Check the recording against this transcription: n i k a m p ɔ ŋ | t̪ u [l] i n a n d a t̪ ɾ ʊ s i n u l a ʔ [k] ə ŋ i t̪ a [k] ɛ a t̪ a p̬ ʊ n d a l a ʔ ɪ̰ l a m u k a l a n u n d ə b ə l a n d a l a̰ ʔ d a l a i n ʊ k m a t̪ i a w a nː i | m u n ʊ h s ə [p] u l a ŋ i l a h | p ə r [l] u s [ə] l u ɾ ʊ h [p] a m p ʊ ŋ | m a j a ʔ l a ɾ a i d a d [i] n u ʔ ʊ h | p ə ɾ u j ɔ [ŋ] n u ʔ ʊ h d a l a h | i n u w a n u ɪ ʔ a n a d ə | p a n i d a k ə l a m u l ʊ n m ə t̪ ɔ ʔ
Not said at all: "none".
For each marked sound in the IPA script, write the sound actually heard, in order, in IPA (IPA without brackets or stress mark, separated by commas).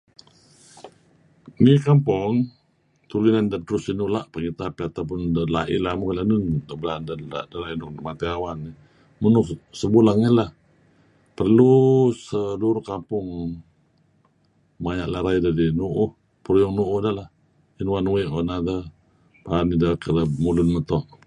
l, p, p, b, l, ə, k, i, ŋ